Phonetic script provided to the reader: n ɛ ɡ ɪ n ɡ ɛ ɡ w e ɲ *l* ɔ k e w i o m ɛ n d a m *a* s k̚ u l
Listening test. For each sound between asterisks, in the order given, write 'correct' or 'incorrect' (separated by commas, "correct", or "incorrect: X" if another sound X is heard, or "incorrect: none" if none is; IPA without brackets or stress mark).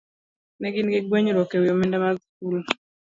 incorrect: ɾ, correct